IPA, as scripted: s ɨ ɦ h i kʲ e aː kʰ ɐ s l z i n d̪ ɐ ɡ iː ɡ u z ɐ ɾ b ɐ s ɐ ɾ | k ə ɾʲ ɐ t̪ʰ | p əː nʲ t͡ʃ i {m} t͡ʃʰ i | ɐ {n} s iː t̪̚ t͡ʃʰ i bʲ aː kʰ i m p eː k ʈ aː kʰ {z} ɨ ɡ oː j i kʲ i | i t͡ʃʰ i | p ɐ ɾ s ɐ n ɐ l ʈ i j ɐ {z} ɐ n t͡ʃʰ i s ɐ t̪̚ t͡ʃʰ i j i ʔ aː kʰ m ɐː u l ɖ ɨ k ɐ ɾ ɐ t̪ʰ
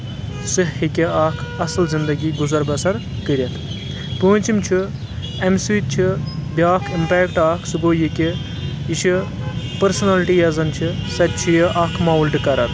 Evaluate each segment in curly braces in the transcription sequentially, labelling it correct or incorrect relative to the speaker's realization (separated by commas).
correct, incorrect, incorrect, correct